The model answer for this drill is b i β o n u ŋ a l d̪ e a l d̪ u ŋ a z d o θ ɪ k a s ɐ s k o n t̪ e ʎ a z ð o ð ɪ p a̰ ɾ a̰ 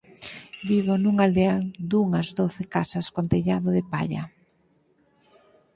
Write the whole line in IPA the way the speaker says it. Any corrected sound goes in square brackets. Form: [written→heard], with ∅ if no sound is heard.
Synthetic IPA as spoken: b i β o n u ŋ a l d̪ e a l d̪ u ŋ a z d o θ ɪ k a s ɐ s k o n t̪ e ʎ a [z→∅] ð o ð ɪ p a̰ [ɾ→ʎ] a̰